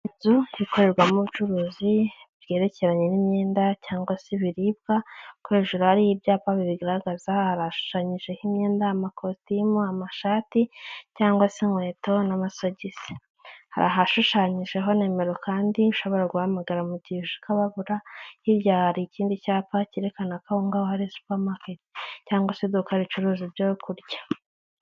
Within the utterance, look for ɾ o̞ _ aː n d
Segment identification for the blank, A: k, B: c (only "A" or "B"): A